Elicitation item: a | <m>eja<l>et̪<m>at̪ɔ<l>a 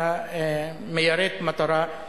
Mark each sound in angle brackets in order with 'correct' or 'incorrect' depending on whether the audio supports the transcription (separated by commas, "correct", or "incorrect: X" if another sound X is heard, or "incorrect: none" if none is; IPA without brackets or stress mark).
correct, incorrect: ɾ, correct, incorrect: ɾ